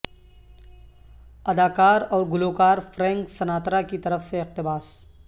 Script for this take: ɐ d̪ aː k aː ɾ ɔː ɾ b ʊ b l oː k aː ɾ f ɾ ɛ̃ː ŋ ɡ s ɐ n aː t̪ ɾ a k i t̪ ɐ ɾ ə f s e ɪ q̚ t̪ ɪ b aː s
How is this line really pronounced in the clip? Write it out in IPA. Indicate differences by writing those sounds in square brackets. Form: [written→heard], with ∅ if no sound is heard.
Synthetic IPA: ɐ d̪ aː k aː ɾ ɔː ɾ [b→ɡ] ʊ [b→∅] l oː k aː ɾ f ɾ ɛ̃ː ŋ [ɡ→k] s ɐ n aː t̪ ɾ a k i t̪ ɐ ɾ ə f s e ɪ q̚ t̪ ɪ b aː s